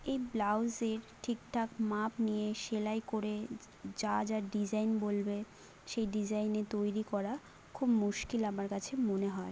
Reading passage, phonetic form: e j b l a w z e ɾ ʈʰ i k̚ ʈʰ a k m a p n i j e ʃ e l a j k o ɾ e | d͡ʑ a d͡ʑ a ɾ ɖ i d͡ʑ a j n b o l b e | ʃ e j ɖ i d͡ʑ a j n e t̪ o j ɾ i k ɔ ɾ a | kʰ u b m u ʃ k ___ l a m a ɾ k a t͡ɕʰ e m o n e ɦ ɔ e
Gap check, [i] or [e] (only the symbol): i